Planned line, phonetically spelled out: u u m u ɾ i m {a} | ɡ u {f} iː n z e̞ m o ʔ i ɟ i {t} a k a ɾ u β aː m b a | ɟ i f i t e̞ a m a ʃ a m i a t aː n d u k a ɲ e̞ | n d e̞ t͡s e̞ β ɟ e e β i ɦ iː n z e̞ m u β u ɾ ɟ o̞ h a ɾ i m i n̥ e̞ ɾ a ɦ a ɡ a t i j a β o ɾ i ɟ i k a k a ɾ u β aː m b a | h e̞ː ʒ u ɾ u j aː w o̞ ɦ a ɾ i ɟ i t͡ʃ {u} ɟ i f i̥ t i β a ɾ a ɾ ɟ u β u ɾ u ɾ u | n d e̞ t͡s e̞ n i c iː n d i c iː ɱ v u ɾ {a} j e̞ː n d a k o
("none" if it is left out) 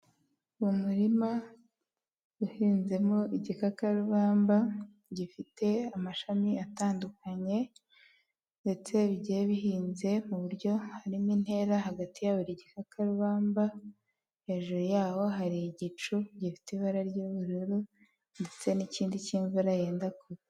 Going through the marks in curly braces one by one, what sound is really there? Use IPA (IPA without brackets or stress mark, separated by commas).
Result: a, h, k, u, a